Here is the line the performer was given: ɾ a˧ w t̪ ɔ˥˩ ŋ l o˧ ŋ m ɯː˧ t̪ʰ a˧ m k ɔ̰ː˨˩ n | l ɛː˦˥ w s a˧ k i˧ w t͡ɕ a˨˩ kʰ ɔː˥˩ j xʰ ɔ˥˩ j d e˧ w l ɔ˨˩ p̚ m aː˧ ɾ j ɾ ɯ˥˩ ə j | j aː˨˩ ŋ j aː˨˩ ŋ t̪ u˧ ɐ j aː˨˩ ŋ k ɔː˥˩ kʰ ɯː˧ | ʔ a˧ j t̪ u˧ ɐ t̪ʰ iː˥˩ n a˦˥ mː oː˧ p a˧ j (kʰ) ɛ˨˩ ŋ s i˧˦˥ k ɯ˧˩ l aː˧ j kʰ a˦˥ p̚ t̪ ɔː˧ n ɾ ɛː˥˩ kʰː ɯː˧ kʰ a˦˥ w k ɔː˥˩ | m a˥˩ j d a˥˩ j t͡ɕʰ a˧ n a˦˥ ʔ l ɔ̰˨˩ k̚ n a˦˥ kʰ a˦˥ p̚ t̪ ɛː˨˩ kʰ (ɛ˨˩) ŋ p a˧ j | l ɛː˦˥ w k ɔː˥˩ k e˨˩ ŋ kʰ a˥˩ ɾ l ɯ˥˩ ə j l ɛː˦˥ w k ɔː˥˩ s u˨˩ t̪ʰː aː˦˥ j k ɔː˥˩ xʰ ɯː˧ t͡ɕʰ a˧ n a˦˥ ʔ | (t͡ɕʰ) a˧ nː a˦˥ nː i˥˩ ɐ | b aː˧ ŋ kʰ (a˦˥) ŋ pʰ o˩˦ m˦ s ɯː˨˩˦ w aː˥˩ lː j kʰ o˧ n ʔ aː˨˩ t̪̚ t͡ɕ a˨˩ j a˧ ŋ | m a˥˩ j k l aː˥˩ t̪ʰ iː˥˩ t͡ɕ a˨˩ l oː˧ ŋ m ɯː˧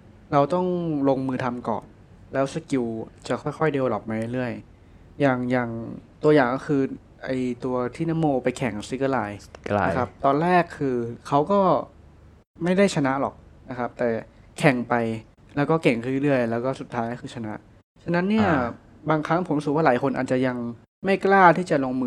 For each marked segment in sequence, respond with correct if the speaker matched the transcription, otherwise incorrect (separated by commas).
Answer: correct, correct, correct, correct